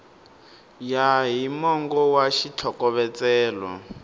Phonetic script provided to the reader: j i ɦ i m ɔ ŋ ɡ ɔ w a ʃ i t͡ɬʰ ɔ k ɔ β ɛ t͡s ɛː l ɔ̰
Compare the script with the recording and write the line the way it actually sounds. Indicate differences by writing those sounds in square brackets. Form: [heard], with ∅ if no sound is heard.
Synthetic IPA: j [a] ɦ i m ɔ ŋ ɡ ɔ w a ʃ i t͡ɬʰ ɔ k ɔ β ɛ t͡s ɛː l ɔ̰